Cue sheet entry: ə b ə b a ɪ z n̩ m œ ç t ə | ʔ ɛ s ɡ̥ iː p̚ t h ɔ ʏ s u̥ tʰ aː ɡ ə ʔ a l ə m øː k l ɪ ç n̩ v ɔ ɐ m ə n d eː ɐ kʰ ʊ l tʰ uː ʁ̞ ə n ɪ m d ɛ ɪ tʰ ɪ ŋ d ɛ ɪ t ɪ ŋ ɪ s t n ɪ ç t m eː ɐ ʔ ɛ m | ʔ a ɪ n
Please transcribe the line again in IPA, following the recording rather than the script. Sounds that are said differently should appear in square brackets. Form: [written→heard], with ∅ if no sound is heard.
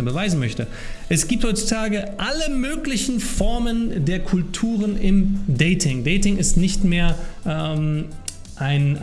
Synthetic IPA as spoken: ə b ə [b→v] a ɪ z n̩ m œ ç t ə | ʔ ɛ s ɡ̥ iː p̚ t h ɔ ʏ [s→t͡s] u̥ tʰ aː ɡ ə ʔ a l ə m øː k l ɪ ç n̩ [v→f] ɔ ɐ m ə n d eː ɐ kʰ ʊ l tʰ uː ʁ̞ ə n ɪ m d ɛ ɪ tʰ ɪ ŋ d ɛ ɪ t ɪ ŋ ɪ s t n ɪ ç t m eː ɐ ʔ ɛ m | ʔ a ɪ n